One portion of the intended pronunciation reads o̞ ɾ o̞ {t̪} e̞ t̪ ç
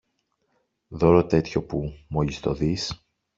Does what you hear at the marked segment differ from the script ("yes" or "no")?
no